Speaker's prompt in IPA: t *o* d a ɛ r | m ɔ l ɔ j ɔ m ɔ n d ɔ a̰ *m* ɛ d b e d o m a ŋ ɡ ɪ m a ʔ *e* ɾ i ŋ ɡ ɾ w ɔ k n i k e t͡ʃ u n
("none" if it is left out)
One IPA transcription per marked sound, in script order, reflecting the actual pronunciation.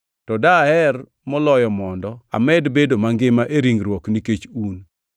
ɔ, m, e

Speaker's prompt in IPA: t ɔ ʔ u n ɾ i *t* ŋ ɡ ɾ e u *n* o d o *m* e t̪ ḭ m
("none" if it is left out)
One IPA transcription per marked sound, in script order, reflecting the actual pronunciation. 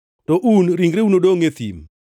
none, n, ŋ

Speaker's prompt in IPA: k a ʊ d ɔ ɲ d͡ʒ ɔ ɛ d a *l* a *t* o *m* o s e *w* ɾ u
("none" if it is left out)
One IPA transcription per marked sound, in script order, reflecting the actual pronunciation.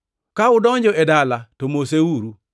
l, t, m, u

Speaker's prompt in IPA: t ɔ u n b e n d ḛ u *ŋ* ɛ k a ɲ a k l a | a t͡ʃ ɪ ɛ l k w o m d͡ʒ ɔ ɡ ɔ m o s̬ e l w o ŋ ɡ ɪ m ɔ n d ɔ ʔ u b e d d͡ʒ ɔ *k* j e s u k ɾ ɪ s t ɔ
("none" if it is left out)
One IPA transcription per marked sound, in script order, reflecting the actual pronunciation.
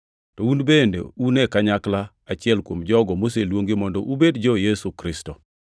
n, none

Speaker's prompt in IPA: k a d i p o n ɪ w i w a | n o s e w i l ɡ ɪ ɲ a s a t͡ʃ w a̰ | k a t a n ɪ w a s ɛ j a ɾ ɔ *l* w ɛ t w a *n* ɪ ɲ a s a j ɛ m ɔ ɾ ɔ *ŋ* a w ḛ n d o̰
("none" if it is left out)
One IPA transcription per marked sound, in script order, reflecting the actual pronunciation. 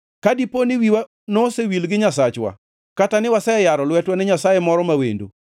l, n, m

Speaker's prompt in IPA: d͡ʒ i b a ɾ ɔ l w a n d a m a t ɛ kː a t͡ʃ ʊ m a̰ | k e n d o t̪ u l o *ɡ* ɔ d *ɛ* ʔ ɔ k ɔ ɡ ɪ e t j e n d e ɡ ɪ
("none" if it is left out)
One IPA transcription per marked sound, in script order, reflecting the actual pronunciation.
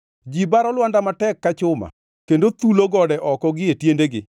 ɡ, ɛ

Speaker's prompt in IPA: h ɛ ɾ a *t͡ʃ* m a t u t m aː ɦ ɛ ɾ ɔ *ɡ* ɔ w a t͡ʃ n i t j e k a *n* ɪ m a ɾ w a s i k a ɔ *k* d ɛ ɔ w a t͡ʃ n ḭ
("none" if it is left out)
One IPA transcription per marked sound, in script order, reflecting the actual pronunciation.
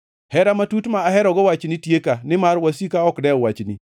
none, ɡ, n, k

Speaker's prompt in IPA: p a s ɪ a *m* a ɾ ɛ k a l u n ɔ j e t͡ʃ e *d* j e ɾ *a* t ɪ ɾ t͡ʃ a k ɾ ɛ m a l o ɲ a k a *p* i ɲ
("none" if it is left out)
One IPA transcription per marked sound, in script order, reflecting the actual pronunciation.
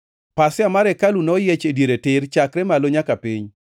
m, d, e, p

